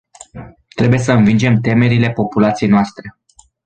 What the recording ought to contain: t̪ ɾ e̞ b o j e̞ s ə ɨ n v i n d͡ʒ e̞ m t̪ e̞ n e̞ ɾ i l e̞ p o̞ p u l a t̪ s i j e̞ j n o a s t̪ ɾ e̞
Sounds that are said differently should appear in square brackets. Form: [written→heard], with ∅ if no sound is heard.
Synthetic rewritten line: t̪ ɾ e̞ b [o→u] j e̞ s ə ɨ n v i n d͡ʒ e̞ m t̪ e̞ [n→m] e̞ ɾ i l e̞ p o̞ p u l a t̪ s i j e̞ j n o a s t̪ ɾ e̞